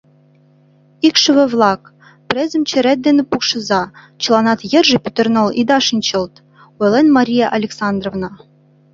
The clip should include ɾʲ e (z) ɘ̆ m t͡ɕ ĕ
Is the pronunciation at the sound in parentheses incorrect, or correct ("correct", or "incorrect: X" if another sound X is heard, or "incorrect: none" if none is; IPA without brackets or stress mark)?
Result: correct